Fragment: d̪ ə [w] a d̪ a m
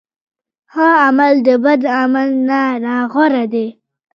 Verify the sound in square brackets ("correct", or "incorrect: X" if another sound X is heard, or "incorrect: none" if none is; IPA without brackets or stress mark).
incorrect: b